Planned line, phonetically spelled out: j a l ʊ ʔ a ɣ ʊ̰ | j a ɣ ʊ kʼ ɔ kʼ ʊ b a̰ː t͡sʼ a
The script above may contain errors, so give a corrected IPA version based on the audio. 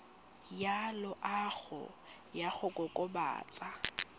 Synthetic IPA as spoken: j a l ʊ ʔ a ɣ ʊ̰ | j a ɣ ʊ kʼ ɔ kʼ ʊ b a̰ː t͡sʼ a